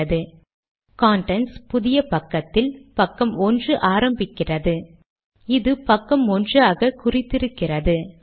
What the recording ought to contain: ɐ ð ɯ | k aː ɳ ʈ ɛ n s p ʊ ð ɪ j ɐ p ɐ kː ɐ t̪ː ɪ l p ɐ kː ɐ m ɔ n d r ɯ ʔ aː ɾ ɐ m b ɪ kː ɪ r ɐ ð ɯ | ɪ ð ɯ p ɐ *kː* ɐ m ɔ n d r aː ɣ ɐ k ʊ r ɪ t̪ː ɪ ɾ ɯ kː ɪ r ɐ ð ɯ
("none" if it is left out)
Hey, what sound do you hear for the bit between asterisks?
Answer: kː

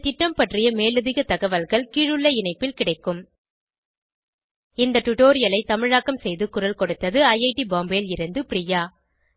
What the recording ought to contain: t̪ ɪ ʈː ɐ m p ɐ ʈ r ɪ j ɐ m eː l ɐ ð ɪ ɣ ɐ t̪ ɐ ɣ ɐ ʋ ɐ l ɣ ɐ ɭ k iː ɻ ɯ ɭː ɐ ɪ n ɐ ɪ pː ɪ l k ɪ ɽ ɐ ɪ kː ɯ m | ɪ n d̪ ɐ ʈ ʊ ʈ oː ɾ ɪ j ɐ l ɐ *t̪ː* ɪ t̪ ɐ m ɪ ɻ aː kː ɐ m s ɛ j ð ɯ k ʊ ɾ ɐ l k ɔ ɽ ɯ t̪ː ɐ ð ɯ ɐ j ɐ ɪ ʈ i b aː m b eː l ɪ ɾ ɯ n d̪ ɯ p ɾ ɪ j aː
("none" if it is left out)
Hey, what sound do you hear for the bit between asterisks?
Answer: none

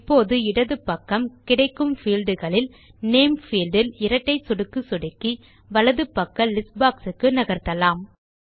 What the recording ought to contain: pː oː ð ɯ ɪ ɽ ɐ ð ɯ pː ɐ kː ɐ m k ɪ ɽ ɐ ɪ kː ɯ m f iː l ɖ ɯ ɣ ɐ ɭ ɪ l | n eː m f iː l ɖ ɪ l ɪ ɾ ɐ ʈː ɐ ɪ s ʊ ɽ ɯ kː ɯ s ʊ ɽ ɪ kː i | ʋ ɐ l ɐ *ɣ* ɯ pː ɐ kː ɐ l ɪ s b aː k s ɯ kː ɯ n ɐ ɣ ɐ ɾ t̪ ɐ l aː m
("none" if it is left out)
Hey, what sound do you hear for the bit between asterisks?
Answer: ð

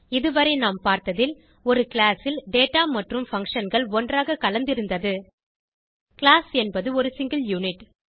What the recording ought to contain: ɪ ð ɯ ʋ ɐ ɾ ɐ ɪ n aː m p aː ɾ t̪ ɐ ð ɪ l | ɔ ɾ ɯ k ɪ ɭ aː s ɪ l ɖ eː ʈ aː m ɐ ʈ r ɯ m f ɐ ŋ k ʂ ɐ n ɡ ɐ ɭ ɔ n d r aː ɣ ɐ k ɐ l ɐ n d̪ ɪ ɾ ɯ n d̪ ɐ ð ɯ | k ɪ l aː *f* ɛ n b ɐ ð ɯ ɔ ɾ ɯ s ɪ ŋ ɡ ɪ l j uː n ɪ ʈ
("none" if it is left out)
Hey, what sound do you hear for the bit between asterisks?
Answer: s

